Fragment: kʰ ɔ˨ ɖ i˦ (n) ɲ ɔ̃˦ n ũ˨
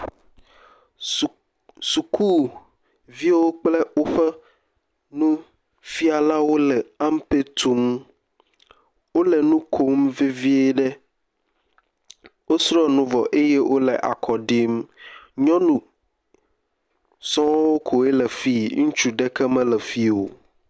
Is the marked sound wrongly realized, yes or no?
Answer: yes